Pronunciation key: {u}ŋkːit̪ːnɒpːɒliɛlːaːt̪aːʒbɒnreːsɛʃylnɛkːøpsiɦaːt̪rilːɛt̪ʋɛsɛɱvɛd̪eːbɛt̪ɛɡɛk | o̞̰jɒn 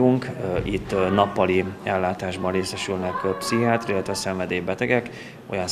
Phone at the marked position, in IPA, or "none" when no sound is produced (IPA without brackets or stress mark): u